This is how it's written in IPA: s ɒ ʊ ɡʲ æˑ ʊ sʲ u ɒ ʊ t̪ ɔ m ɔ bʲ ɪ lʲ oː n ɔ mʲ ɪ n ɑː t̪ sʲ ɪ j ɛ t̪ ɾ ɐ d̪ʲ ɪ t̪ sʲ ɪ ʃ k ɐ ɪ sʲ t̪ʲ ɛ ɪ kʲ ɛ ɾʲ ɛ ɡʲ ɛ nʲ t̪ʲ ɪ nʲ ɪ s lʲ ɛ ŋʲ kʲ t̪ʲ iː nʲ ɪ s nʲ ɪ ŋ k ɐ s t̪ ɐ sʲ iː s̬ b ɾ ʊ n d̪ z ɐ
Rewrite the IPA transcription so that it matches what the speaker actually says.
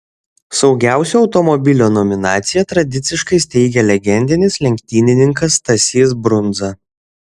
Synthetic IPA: s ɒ ʊ ɡʲ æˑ ʊ sʲ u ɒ ʊ t̪ ɔ m ɔ bʲ ɪ lʲ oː n ɔ mʲ ɪ n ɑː t̪ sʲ ɪ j ɛ t̪ ɾ ɐ d̪ʲ ɪ t̪ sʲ ɪ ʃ k ɐ ɪ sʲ t̪ʲ ɛ ɪ ɡʲ ɛ lʲ ɛ ɡʲ ɛ nʲ d̪ʲ ɪ nʲ ɪ s lʲ ɛ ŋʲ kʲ t̪ʲ iː nʲ ɪ nʲ ɪ ŋ k ɐ s t̪ ɐ sʲ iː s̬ b ɾ ʊ n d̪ z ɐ